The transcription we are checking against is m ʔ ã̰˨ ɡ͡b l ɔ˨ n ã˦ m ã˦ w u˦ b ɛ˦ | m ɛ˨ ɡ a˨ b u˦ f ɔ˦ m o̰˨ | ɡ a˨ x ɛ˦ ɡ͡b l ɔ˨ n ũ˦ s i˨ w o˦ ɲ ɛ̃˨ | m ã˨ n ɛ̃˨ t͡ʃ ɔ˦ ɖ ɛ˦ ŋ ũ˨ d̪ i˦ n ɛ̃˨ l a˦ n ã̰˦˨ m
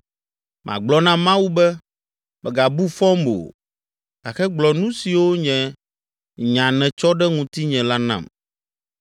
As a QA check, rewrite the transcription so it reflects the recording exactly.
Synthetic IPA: m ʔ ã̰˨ ɡ͡b l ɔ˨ n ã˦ m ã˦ w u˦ b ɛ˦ | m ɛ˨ ɡ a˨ b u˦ f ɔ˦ m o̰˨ | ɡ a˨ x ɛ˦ ɡ͡b l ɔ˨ n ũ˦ s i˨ w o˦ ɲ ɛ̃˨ | ɲ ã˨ n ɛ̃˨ t͡ʃ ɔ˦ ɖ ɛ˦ ŋ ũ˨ t̪ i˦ ɲ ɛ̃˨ l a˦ n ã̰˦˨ m